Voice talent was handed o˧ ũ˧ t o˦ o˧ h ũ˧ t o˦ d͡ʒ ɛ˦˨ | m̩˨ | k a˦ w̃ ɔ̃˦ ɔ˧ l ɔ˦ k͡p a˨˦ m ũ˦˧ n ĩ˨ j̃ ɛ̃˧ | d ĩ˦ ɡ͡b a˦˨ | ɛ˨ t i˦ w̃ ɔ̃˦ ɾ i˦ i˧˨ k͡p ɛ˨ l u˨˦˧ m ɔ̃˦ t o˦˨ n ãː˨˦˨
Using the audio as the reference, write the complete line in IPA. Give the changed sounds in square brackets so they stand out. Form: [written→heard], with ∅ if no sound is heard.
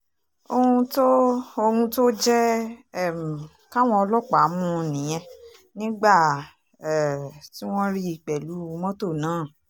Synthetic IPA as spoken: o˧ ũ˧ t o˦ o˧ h ũ˧ t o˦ d͡ʒ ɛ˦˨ | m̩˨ | k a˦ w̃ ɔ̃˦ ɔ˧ l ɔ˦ k͡p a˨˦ m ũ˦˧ n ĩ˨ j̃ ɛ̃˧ | [d→n] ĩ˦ ɡ͡b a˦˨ | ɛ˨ t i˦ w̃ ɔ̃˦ ɾ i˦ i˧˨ k͡p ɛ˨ l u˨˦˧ m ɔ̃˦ t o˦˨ n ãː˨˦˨